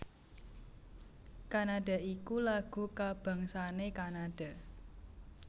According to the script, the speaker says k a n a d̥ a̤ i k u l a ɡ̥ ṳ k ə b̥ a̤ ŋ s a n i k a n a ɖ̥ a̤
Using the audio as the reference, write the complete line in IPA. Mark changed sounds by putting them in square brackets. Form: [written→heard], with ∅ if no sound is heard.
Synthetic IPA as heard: k a n a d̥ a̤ i k u l a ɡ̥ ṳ k [ə→a] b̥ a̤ ŋ s a n [i→e] k a n a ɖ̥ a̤